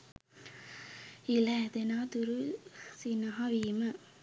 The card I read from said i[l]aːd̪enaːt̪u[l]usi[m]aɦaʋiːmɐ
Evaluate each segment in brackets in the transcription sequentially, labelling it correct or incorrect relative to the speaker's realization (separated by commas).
correct, incorrect, incorrect